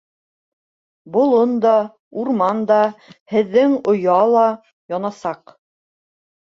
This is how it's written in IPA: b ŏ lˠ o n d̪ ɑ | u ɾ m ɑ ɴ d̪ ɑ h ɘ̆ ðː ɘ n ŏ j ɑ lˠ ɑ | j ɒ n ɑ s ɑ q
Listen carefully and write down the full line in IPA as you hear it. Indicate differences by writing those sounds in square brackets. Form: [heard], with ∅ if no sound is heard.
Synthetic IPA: b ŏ lˠ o n d̪ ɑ | u ɾ m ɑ [n] d̪ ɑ h ɘ̆ ðː ɘ [ŋ] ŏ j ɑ lˠ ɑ | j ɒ n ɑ s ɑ q